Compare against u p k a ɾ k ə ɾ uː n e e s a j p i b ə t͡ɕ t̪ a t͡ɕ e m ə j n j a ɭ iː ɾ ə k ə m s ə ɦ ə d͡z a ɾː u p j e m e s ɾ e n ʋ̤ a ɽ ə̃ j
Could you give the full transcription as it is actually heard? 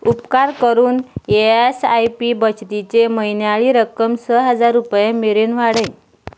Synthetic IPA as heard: u p k a ɾ k ə ɾ uː n e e s a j p i b ə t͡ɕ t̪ i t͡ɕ e m ə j n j a ɭ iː ɾ ə k ə m s ə ɦ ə d͡z a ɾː u p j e m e ɾ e n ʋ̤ a ɽ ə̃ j